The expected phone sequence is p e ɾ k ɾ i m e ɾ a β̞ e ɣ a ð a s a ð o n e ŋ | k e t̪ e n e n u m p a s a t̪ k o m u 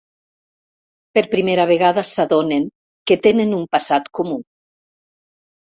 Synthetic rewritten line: p e ɾ p ɾ i m e ɾ a β̞ e ɣ a ð a s a ð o n e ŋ | k e t̪ e n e n u m p a s a t̪ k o m u